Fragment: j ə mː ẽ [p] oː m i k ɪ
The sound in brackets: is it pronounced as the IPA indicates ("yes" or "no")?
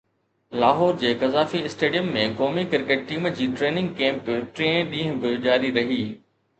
no